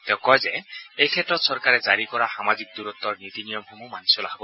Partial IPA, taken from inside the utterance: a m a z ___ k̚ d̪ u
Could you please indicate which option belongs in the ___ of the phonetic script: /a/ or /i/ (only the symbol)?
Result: i